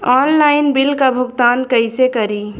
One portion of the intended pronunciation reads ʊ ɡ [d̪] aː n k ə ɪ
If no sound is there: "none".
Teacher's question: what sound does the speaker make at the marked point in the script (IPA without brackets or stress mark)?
t̪